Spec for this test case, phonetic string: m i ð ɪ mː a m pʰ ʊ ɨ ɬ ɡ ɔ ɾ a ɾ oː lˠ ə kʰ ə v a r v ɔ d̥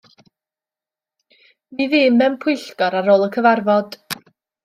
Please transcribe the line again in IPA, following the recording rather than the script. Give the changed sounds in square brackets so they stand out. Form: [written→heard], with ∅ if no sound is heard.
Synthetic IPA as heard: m i ð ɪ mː [a→ɛ] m pʰ ʊ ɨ ɬ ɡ ɔ ɾ a ɾ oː lˠ ə kʰ ə v a r v ɔ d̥